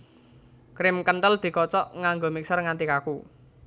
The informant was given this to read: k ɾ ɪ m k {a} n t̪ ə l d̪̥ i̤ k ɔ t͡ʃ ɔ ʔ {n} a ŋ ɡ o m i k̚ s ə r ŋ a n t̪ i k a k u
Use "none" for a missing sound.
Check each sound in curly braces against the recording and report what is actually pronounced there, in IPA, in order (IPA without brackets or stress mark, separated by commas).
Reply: ə, ŋ